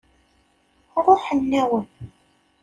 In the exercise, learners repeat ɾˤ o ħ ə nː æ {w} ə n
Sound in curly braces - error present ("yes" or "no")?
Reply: no